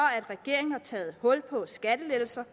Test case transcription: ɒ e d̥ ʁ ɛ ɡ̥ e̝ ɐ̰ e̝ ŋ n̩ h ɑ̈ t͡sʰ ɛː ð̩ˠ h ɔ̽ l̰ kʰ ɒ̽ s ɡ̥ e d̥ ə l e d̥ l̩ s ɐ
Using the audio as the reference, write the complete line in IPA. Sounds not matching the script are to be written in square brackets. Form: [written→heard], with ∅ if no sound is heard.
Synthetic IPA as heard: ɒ [e→æ] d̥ ʁ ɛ ɡ̥ e̝ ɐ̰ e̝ ŋ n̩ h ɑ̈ t͡sʰ ɛː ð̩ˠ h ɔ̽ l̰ [kʰ→pʰ] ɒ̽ s ɡ̥ [e→æ] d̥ ə l e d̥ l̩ s ɐ